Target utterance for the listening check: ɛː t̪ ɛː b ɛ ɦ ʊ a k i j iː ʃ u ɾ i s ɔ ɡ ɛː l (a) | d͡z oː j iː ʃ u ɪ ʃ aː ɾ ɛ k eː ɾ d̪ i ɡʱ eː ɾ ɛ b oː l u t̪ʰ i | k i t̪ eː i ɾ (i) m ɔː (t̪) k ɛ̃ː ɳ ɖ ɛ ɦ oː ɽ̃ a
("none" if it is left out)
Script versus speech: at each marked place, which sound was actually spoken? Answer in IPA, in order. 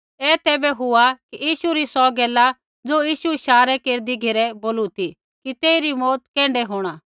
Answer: a, i, t̪

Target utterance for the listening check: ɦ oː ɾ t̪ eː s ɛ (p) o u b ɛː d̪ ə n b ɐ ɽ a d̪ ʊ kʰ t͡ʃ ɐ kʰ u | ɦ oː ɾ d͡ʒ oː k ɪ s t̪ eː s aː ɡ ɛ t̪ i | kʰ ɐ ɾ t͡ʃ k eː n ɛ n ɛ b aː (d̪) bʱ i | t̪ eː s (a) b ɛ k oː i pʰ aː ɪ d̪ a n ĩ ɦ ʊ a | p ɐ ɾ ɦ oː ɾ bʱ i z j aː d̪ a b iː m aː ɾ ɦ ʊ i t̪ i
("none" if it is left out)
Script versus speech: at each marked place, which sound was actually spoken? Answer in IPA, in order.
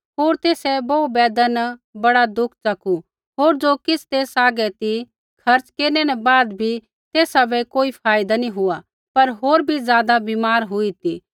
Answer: b, d̪, a

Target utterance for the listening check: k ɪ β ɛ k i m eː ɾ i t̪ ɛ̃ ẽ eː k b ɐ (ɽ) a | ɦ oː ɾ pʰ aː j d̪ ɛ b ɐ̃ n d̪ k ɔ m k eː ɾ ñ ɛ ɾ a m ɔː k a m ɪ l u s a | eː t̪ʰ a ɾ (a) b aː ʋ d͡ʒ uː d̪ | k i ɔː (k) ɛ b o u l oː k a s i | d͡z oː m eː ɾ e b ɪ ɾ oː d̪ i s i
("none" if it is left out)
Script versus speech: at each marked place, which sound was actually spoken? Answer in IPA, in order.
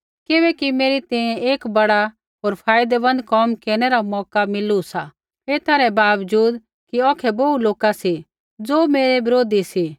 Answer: ɽ, ɛ, kʰ

